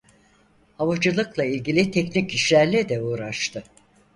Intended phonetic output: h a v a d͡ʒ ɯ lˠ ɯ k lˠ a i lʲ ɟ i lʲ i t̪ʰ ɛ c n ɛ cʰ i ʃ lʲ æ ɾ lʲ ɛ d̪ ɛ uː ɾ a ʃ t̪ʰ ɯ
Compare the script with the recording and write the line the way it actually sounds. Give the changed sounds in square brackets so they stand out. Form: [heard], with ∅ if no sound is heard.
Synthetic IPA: h a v a d͡ʒ ɯ lˠ ɯ k lˠ a i lʲ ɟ i lʲ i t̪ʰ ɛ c n [i] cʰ i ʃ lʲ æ ɾ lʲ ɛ d̪ ɛ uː ɾ a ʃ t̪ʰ ɯ

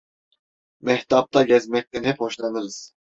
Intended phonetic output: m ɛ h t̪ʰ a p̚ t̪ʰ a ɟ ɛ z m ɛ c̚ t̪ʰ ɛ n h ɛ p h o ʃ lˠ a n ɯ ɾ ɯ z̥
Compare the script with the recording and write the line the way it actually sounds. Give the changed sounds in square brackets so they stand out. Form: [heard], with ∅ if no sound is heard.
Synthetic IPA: m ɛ h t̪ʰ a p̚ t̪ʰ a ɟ ɛ z m ɛ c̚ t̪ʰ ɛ n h ɛ p h o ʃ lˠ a n ɯ ɾ ɯ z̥

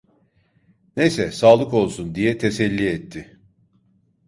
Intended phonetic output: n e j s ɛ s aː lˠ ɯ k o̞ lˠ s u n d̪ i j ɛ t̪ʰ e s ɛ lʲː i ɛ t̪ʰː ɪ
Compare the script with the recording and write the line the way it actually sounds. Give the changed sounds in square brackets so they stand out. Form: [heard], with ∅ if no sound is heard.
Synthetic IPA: n e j s ɛ s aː lˠ ɯ k o̞ lˠ s u n d̪ i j ɛ t̪ʰ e s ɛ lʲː i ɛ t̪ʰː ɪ

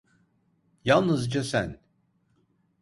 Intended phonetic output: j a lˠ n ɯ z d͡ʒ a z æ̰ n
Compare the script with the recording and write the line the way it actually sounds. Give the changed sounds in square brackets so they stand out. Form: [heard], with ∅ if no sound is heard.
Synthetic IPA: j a lˠ n ɯ z d͡ʒ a [s] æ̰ n

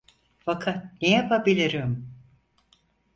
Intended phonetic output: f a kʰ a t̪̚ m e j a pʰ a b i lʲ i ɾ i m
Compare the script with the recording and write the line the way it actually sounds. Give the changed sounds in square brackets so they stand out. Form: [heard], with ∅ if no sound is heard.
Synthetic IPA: f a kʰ a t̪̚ [n] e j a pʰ a b i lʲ i ɾ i m

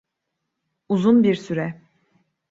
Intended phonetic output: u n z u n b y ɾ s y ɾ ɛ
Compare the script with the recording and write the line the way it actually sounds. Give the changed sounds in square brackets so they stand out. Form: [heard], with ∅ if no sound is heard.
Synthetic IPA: u [∅] z u n b [i] ɾ s y ɾ ɛ

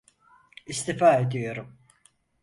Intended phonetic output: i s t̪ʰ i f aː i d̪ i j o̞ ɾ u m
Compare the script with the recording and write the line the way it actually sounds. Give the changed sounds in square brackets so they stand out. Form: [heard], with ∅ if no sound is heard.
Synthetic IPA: i s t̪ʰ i f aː [e] d̪ i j o̞ ɾ u m

